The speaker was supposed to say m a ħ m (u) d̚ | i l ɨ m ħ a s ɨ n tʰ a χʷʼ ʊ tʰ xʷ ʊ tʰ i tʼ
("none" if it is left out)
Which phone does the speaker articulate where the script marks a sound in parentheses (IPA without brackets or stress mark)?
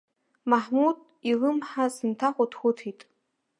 u